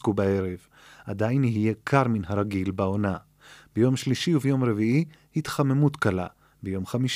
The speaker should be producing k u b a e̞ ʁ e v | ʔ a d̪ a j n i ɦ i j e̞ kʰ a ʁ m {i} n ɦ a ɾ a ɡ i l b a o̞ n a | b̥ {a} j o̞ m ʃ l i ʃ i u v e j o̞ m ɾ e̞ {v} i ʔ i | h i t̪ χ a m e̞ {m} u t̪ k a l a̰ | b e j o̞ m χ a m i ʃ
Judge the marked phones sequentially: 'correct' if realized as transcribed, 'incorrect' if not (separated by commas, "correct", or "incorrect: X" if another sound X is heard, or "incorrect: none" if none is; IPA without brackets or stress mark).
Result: correct, incorrect: e, correct, correct